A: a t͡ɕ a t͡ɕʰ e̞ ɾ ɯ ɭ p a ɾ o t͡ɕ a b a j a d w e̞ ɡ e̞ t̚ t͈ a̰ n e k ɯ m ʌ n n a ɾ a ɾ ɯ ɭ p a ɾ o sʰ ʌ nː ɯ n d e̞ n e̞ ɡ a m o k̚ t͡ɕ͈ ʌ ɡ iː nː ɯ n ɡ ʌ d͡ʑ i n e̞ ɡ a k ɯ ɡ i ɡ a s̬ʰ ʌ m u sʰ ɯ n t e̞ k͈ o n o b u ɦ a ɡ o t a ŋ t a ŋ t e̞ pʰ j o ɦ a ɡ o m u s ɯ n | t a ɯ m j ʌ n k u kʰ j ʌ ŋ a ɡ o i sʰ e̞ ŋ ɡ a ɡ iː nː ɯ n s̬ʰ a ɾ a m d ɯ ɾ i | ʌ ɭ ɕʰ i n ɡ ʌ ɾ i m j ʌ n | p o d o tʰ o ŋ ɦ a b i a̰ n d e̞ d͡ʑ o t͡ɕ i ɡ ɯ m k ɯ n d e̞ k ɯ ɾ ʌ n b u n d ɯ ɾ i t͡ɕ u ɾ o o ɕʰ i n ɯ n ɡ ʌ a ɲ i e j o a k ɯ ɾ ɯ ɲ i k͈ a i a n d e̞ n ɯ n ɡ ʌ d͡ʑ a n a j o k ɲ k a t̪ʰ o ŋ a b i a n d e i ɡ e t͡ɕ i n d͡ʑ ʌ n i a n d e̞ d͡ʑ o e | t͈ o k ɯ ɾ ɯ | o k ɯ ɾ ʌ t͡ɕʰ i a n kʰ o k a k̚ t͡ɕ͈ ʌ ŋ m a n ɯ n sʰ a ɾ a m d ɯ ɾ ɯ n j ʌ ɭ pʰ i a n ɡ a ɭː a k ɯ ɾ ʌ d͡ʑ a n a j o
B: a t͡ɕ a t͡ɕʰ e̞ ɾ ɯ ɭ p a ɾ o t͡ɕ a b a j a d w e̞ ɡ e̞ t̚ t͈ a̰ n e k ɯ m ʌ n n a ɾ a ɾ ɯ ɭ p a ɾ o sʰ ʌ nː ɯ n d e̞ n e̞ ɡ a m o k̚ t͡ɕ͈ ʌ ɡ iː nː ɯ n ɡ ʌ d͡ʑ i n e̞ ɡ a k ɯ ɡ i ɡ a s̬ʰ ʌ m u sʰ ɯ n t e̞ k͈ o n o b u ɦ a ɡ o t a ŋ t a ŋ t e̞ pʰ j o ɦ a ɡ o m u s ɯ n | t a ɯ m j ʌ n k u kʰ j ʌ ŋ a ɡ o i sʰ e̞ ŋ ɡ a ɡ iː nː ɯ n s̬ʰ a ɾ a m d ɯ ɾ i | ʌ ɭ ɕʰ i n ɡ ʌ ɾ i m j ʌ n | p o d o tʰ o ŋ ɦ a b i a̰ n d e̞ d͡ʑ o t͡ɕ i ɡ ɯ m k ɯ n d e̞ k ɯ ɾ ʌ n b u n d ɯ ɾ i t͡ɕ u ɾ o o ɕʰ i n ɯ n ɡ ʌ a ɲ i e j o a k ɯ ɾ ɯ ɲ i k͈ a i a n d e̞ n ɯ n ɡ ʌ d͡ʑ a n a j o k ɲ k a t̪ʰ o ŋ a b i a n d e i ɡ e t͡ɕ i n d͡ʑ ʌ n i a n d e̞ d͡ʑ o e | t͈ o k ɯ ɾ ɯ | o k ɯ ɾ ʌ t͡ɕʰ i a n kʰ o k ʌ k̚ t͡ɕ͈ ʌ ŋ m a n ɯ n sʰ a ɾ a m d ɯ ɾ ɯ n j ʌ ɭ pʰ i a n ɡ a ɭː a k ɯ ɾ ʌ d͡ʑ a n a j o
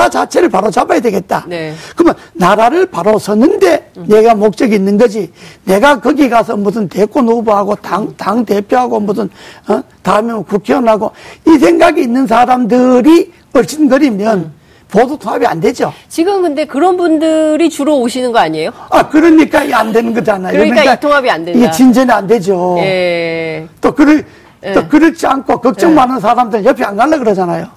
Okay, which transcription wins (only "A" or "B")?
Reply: B